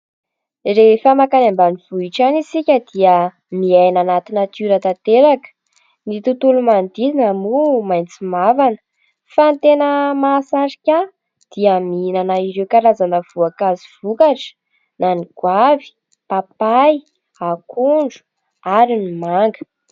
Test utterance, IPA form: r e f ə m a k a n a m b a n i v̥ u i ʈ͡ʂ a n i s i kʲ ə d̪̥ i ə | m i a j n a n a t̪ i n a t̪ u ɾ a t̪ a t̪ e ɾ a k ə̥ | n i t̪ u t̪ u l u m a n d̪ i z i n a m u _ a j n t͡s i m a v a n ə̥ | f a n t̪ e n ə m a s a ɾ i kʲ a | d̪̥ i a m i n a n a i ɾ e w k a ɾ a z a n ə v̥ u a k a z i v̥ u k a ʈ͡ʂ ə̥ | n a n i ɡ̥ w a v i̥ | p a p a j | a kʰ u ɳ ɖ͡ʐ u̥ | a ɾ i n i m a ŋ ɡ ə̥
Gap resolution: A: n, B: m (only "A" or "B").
B